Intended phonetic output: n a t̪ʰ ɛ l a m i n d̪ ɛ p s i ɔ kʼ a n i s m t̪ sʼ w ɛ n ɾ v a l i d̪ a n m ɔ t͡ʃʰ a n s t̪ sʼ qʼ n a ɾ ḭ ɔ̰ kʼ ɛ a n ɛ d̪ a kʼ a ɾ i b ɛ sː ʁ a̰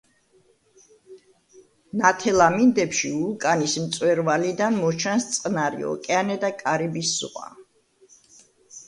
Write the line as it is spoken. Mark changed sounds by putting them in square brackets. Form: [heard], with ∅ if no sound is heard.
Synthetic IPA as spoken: n a t̪ʰ ɛ l a m i n d̪ ɛ p [ʃ] i [u] kʼ a n i s m t̪ sʼ w ɛ [∅] ɾ v a l i d̪ a n m ɔ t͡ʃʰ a n s t̪ sʼ qʼ n a ɾ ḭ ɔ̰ kʼ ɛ a n ɛ d̪ a kʼ a ɾ i b [i] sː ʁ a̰